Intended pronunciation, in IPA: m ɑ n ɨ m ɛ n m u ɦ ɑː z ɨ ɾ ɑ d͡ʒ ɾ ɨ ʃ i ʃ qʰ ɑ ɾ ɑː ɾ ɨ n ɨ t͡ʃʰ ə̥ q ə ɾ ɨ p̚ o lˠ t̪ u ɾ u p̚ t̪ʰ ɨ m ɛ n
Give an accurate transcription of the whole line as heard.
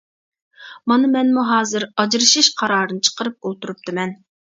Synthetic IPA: m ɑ n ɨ m ɛ n m u ɦ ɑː z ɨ ɾ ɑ d͡ʒ ɾ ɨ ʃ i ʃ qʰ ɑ ɾ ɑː ɾ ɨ n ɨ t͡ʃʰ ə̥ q ə ɾ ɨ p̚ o lˠ t̪ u ɾ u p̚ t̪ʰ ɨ m ɛ n